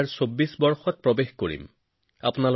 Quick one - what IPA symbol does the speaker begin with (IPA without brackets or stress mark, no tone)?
ɹ